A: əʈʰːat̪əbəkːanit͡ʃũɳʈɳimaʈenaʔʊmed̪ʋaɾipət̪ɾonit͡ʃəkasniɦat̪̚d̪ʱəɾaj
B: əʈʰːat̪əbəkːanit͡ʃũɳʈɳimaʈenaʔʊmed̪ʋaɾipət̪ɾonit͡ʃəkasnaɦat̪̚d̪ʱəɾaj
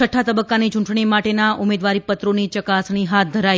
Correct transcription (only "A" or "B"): A